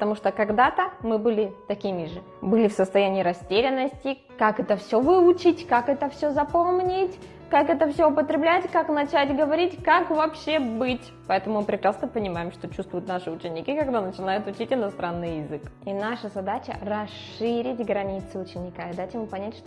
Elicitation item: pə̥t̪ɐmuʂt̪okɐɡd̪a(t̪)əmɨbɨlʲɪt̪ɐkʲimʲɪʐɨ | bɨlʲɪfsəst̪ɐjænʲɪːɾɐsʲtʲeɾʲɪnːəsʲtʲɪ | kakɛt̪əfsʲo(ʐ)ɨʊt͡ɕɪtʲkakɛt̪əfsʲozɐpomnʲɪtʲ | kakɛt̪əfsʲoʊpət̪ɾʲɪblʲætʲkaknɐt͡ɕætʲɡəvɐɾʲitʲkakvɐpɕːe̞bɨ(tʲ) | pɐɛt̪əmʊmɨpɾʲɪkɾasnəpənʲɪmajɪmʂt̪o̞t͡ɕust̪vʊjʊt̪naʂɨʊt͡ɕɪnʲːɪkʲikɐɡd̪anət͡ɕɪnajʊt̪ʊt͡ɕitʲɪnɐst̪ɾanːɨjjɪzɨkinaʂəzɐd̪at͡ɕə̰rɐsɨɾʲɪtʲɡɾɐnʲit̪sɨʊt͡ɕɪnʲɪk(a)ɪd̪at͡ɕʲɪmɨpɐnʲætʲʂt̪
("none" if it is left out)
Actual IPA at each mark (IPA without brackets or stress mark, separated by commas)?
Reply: t̪, v, tʲ, a